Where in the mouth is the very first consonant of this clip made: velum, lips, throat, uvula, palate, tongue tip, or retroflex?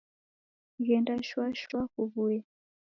velum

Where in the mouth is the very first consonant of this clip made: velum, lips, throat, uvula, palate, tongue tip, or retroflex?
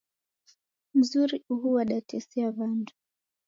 lips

